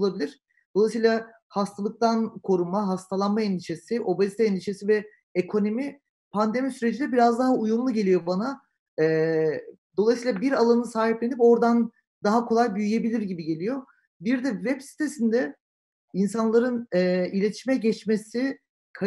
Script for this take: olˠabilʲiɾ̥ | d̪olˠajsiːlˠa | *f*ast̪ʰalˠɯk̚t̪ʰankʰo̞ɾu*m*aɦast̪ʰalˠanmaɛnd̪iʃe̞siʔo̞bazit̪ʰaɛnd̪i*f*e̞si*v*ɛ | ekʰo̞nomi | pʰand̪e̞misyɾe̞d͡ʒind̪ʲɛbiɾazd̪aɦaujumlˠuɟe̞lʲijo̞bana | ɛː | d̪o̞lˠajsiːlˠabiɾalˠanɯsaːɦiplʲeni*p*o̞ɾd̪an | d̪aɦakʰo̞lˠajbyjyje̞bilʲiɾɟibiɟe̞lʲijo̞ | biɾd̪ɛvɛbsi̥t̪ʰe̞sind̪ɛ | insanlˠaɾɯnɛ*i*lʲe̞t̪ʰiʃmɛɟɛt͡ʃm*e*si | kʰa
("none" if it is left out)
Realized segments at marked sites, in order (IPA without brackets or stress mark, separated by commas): h, m, ʃ, v, p, i, e